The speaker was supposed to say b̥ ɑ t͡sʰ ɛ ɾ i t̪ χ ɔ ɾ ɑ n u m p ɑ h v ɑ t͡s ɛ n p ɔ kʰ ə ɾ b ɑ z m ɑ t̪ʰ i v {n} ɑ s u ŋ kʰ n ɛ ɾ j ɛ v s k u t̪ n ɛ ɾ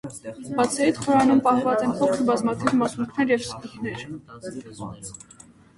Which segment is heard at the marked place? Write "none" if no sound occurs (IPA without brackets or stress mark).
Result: m